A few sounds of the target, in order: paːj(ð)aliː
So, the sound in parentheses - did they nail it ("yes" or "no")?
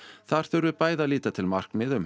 yes